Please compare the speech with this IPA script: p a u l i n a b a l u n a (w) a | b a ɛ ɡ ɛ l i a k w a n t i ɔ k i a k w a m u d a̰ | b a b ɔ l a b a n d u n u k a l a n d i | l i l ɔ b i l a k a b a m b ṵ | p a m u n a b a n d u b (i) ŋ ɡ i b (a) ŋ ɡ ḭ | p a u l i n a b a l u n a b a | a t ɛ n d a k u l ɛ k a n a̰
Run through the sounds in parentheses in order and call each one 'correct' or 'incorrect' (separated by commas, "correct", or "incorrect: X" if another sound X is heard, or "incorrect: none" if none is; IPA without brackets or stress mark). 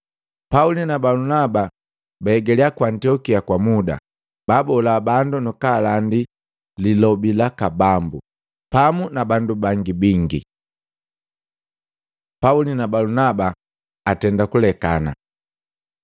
incorrect: b, incorrect: a, incorrect: i